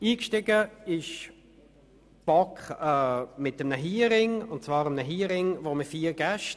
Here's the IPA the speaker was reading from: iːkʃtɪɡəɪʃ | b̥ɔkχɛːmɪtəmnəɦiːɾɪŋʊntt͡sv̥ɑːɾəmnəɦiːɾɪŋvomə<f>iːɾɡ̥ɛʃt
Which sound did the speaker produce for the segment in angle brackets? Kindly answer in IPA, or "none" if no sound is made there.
f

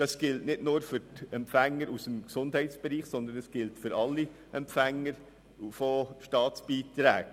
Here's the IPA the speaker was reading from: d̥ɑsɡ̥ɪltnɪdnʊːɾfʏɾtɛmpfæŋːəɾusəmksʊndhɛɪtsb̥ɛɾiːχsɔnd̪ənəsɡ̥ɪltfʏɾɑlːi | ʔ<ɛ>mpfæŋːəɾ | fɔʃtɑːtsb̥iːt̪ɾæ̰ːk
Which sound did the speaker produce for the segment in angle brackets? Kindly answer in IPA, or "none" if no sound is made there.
ɛ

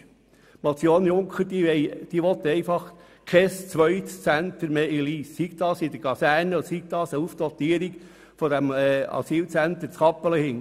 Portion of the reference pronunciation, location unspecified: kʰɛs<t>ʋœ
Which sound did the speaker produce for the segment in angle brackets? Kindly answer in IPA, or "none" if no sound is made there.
t͡s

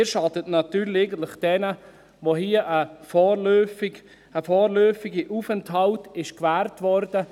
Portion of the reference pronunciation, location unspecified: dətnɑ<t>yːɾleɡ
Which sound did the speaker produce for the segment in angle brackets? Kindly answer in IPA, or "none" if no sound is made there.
t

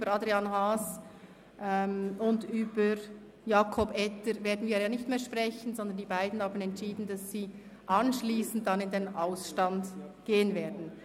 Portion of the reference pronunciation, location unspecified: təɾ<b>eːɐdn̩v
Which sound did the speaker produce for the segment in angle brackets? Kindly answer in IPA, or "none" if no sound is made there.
v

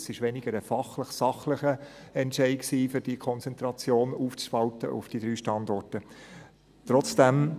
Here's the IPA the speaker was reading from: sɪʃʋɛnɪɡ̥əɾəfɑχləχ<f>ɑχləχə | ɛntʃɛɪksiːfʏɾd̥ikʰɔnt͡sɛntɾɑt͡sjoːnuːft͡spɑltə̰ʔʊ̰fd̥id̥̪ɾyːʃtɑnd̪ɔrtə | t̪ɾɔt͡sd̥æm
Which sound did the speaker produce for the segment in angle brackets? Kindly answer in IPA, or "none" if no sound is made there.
s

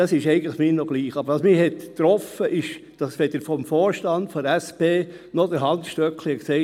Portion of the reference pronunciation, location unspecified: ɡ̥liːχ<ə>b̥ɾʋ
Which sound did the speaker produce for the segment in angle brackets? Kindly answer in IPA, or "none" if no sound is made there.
ɑ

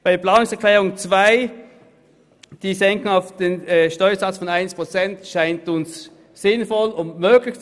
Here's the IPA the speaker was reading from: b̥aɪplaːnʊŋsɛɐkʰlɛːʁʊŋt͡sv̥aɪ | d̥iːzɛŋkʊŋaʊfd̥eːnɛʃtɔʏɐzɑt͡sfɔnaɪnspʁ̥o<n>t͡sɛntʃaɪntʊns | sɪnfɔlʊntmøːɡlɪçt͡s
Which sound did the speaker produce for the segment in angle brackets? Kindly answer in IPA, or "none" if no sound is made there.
none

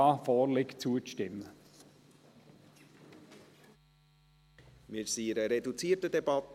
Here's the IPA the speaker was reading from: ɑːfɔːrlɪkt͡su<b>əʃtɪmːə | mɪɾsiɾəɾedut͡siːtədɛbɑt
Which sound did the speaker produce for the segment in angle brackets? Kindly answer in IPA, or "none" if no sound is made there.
none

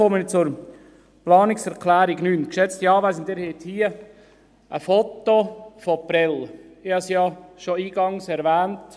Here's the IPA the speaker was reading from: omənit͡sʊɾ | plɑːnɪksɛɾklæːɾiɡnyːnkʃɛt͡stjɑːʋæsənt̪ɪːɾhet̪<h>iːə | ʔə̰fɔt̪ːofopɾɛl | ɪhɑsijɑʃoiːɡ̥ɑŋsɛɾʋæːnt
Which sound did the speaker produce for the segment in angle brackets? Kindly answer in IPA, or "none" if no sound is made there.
h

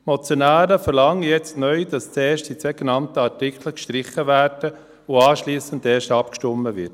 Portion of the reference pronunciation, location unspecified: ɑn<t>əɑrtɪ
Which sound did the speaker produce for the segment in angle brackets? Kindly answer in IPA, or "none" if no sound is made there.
t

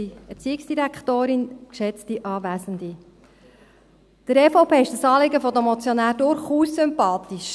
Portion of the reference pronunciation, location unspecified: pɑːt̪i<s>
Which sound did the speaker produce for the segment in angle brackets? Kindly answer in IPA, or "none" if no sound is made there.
ʃ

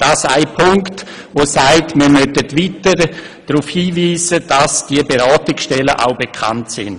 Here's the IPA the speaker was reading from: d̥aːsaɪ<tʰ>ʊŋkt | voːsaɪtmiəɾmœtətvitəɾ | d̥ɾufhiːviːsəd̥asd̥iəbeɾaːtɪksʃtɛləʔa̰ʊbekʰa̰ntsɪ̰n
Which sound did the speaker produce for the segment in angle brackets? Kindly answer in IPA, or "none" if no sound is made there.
pʰ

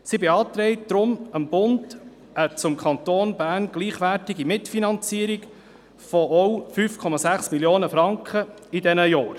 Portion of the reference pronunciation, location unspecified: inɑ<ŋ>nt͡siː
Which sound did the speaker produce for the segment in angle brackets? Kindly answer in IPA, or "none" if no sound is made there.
none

